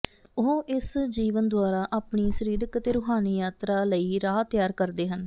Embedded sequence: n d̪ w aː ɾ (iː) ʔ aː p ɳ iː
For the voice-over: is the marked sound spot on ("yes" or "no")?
no